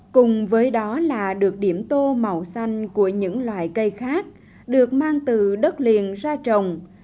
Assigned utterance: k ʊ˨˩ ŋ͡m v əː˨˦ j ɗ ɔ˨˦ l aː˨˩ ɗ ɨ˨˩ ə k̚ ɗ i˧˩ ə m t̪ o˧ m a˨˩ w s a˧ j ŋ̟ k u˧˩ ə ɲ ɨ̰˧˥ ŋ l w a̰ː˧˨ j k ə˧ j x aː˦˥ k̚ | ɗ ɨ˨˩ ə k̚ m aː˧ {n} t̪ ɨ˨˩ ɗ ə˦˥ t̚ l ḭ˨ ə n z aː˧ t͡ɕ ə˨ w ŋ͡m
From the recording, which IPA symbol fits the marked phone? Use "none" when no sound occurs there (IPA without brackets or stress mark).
ŋ